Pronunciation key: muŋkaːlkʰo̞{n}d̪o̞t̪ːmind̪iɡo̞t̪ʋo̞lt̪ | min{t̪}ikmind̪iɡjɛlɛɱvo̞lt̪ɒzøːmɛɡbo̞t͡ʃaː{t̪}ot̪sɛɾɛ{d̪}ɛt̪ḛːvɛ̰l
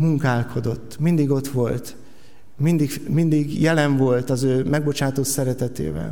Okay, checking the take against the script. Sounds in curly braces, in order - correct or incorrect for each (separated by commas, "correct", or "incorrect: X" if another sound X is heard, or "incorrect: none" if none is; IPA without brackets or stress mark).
incorrect: none, incorrect: d̪, correct, incorrect: t̪